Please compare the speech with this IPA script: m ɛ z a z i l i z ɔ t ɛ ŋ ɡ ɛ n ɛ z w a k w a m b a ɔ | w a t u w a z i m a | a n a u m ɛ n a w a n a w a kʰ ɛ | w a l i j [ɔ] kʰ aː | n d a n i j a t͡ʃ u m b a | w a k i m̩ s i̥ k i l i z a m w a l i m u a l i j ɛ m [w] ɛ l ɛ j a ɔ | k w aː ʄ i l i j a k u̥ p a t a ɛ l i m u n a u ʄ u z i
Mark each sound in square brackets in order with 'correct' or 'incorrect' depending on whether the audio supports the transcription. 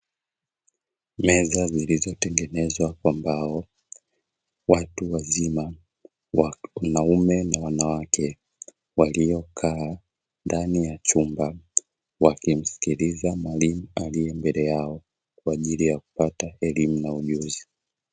correct, incorrect

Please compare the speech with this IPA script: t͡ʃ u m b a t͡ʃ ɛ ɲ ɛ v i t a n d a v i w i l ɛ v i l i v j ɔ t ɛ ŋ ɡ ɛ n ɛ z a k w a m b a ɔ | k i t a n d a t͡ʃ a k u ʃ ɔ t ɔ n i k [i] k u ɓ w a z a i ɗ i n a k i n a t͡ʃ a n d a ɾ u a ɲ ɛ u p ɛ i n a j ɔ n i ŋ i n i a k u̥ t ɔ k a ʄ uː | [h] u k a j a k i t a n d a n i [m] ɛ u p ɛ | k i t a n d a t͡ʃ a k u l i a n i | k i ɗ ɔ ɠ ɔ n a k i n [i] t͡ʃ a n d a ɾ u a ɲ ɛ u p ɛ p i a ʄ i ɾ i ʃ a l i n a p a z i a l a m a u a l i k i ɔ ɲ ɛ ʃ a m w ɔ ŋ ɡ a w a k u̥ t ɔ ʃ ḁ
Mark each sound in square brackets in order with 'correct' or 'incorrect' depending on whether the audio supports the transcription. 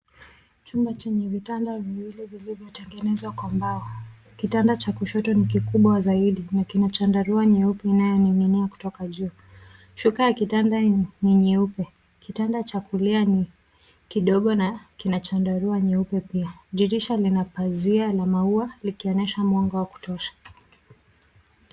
correct, incorrect, incorrect, incorrect

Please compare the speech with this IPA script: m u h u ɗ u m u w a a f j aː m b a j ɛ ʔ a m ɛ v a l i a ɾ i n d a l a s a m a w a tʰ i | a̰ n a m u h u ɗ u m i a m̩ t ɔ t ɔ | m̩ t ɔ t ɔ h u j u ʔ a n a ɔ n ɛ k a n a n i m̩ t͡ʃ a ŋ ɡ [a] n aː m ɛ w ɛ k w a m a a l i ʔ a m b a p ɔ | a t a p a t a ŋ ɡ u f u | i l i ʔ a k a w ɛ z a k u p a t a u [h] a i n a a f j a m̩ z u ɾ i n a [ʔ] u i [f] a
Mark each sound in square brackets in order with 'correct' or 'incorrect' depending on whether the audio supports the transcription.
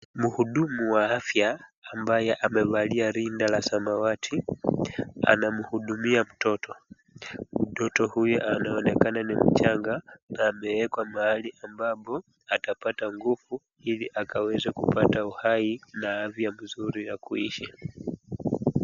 correct, correct, incorrect, incorrect

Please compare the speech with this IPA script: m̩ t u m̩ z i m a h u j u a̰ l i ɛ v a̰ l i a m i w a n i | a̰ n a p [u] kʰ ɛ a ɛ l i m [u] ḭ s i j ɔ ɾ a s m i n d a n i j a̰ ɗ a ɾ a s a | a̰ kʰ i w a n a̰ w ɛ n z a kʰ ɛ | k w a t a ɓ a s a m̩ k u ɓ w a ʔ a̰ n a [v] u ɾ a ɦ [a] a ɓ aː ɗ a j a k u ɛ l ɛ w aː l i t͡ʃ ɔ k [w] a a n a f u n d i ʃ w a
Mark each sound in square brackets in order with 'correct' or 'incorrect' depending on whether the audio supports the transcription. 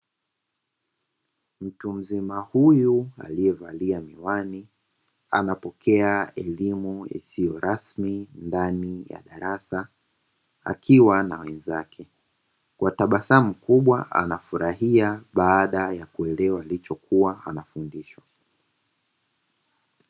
incorrect, correct, incorrect, incorrect, incorrect

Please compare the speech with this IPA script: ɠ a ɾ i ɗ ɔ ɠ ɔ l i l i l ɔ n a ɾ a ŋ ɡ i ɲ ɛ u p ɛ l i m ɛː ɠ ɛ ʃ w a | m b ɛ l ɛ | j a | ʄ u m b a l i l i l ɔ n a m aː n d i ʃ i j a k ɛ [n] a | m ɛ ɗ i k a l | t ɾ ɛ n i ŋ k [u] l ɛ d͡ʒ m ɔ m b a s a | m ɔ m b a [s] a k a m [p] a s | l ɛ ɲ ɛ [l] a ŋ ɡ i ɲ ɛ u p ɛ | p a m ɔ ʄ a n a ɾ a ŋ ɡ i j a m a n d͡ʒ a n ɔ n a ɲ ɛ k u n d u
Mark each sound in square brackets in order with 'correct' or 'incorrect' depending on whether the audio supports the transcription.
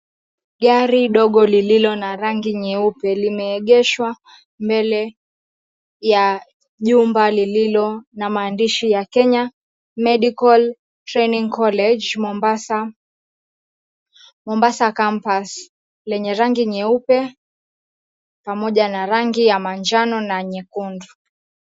incorrect, incorrect, correct, correct, incorrect

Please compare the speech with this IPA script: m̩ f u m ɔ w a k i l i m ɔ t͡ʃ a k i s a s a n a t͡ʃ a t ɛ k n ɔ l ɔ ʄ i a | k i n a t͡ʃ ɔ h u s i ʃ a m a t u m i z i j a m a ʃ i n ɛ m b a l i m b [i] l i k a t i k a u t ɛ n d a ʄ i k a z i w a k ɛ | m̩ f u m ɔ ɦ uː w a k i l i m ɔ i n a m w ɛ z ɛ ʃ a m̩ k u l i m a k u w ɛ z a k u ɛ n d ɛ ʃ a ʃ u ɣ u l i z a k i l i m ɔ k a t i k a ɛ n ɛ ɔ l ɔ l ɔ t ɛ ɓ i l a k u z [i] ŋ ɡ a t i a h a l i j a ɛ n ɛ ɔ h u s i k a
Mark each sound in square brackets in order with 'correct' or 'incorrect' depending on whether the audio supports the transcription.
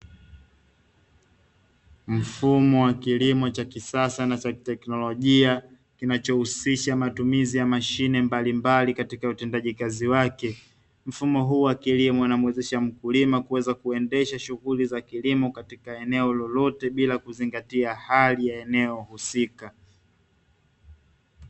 incorrect, correct

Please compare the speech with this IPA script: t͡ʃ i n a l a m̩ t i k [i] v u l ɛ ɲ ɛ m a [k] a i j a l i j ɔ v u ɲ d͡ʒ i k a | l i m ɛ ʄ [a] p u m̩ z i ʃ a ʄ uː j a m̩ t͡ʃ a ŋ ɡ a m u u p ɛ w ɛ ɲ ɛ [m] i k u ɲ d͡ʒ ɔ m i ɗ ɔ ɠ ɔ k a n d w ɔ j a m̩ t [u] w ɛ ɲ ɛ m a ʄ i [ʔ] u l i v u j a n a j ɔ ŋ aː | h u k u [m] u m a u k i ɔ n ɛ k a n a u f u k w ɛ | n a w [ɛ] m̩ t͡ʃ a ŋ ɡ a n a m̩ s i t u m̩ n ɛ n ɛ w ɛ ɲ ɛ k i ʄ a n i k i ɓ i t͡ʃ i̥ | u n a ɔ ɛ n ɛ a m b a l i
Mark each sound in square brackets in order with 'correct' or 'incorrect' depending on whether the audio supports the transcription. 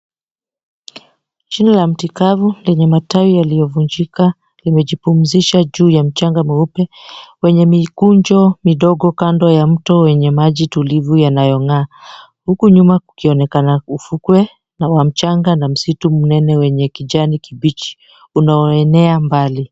incorrect, incorrect, incorrect, correct, incorrect, incorrect, incorrect, incorrect

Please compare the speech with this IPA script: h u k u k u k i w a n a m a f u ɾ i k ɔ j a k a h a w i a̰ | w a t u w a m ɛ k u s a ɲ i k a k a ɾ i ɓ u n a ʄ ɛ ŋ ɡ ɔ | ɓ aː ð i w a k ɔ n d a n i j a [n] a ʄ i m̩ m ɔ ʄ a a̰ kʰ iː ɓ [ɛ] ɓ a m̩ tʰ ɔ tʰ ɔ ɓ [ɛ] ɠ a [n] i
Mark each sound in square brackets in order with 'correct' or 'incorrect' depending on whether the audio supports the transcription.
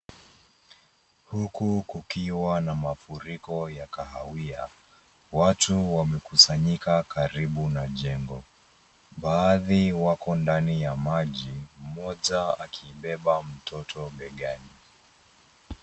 incorrect, correct, correct, correct

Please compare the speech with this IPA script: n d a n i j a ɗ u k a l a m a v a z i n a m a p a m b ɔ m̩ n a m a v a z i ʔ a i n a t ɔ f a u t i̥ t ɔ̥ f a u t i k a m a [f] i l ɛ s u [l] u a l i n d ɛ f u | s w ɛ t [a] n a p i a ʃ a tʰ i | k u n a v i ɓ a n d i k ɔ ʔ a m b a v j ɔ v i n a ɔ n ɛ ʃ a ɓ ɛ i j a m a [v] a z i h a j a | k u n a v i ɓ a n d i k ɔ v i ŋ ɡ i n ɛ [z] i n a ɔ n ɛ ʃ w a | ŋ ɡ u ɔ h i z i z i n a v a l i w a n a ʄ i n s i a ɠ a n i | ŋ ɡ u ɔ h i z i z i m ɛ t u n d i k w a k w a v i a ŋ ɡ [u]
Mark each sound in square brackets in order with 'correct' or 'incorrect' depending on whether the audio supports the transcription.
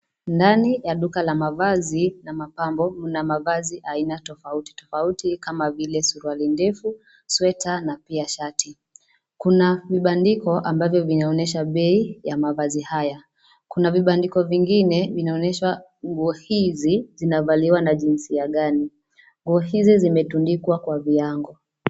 incorrect, incorrect, correct, correct, incorrect, incorrect

